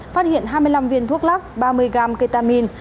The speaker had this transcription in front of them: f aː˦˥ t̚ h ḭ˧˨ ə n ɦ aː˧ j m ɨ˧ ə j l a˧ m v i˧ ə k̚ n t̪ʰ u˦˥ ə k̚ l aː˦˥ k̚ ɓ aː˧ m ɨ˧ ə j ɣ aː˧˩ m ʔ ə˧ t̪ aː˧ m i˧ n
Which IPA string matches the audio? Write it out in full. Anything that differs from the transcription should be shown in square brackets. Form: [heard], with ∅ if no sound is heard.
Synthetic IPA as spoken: f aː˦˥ t̚ h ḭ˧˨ ə n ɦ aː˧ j m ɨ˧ ə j l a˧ m v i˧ ə [∅] n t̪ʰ u˦˥ ə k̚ l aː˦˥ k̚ ɓ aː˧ m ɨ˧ ə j ɣ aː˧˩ m [k] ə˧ t̪ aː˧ m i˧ n